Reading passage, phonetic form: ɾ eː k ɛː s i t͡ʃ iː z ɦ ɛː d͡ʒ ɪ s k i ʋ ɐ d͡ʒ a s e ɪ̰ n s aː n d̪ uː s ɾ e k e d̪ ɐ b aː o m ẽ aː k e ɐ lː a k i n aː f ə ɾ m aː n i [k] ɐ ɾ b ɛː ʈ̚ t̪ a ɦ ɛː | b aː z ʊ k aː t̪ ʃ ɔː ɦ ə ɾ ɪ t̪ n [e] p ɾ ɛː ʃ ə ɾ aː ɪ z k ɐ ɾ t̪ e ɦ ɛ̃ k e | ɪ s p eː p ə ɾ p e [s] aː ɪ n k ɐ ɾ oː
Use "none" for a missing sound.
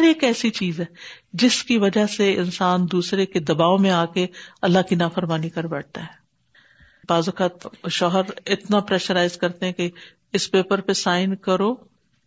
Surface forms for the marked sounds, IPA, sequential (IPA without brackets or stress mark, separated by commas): k, a, s